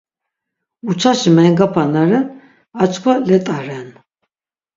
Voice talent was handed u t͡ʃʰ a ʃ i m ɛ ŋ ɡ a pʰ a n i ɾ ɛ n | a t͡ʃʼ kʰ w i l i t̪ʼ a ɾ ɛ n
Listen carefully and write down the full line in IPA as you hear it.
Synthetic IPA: u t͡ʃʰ a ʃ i m ɛ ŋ ɡ a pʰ a n a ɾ ɛ n | a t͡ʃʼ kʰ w a l ɛ t̪ʼ a ɾ ɛ n